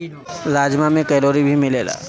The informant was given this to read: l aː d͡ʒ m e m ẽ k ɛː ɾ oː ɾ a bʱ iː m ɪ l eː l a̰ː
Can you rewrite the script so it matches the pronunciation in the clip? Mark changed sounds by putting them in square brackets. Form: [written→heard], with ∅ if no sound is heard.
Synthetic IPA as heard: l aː d͡ʒ m [e→a] m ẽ k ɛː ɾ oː ɾ [a→i] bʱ [iː→i] m ɪ l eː l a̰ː

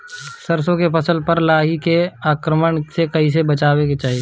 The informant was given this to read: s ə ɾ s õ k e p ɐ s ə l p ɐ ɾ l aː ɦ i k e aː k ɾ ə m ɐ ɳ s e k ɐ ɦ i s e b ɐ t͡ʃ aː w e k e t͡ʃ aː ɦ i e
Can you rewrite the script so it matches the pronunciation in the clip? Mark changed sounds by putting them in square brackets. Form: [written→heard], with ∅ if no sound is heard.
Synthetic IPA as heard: s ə ɾ s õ k e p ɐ s ə l p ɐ ɾ l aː ɦ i k e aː k ɾ ə m [ɐ→ə] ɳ s e k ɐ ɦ i s e b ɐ t͡ʃ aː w e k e t͡ʃ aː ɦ i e

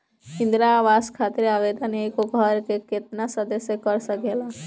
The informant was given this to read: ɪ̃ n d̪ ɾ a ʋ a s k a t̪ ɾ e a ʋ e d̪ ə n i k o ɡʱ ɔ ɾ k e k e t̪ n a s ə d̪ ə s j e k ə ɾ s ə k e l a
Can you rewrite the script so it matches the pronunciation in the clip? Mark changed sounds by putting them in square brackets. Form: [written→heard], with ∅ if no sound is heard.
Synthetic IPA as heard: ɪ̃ n d̪ ɾ a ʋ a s [k→kʰ] a t̪ ɾ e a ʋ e d̪ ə n [i→e] k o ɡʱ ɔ ɾ k e k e t̪ n a s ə d̪ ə s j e k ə ɾ s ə k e l a

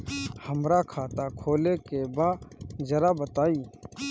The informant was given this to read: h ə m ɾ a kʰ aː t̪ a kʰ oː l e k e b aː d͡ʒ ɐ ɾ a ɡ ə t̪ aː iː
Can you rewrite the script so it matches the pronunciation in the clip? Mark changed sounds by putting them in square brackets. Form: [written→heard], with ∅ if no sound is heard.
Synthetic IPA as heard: h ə m ɾ a kʰ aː t̪ a kʰ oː l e k e b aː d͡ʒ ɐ ɾ a [ɡ→b] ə t̪ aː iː

